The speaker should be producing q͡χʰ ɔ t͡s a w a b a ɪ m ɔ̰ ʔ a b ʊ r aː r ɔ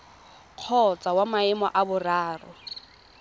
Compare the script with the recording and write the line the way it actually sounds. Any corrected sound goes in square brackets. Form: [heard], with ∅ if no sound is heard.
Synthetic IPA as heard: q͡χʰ ɔ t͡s a w a [m] a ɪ m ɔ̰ ʔ a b ʊ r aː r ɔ